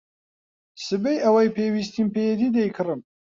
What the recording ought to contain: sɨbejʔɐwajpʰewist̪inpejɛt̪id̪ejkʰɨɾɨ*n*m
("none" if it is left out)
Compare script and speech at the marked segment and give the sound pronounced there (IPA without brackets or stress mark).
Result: none